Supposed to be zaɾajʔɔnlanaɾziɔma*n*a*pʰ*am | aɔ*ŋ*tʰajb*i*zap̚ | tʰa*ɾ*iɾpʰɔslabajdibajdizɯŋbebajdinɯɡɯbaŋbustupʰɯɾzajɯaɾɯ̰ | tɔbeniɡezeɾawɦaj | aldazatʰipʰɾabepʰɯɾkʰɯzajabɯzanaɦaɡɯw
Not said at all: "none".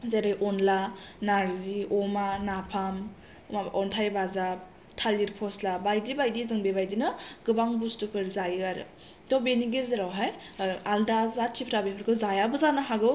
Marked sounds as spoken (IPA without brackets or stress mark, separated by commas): n, pʰ, n, a, l